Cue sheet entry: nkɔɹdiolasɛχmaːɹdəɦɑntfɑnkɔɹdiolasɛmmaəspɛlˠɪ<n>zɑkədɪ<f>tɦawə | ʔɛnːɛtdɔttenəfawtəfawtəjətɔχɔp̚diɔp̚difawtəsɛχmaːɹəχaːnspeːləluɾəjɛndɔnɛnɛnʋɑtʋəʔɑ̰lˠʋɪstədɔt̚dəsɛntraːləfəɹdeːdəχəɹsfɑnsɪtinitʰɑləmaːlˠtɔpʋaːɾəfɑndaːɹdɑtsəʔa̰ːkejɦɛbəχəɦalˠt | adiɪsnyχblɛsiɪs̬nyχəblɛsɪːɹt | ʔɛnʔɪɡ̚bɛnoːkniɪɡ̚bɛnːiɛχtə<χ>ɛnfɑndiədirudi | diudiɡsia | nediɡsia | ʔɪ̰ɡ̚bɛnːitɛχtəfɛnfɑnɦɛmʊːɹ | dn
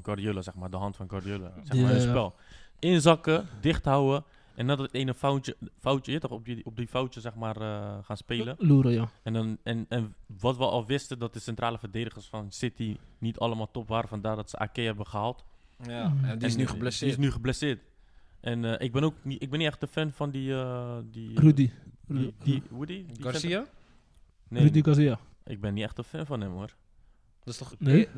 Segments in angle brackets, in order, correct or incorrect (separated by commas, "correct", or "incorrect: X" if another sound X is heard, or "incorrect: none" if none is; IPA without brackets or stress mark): correct, incorrect: χ, incorrect: f